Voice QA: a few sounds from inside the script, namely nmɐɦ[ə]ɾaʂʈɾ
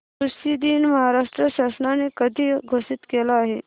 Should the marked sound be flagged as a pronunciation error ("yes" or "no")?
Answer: yes